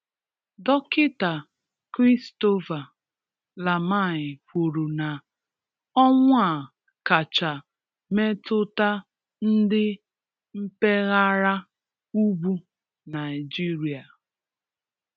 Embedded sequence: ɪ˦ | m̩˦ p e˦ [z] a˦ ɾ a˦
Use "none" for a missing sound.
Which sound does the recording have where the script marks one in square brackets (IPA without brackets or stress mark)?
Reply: ɣ